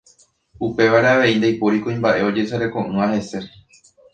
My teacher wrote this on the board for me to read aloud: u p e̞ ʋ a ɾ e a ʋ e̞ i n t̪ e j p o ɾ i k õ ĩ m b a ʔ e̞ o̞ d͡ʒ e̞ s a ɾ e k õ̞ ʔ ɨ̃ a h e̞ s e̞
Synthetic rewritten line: u p e̞ ʋ a ɾ e a ʋ e̞ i n d̪ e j p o ɾ i k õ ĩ m b a ʔ e̞ o̞ d͡ʒ e̞ s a ɾ e k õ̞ ʔ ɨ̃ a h e̞ s e̞